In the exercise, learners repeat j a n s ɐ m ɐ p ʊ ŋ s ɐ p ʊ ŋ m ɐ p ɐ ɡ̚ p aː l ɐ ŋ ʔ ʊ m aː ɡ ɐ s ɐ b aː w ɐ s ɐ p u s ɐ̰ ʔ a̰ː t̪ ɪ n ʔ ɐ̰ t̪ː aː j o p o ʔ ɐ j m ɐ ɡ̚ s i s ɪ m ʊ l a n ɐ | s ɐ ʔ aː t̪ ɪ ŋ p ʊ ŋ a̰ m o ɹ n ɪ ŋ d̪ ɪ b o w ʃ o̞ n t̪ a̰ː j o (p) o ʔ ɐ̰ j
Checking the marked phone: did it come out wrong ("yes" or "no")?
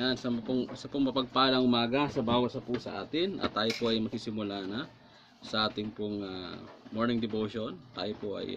no